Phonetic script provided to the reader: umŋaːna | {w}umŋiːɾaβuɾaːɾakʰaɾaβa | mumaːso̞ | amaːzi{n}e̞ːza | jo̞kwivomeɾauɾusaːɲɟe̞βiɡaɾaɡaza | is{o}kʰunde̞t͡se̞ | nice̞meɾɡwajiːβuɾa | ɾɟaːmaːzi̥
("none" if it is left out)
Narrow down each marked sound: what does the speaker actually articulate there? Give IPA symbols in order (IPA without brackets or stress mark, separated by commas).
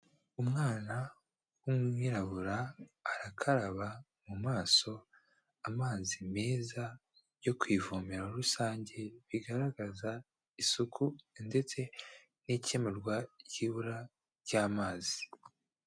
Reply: w, m, u